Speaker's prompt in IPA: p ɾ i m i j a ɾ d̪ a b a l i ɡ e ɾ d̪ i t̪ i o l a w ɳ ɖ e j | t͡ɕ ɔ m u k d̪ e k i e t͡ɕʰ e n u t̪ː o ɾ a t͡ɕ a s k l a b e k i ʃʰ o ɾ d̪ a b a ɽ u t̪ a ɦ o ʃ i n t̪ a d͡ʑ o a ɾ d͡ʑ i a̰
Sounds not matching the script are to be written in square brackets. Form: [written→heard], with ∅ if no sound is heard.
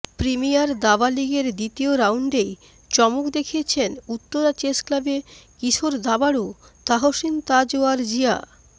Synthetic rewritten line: p ɾ i m i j a ɾ d̪ a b a l i ɡ e ɾ d̪ i t̪ i o [l→ɾ] a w ɳ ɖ e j | t͡ɕ ɔ m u k d̪ e [k→kʰ] i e t͡ɕʰ e n u t̪ː o ɾ a t͡ɕ [a→e] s k l a b e k i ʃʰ o ɾ d̪ a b a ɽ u t̪ a ɦ o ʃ i n t̪ a d͡ʑ o a ɾ d͡ʑ i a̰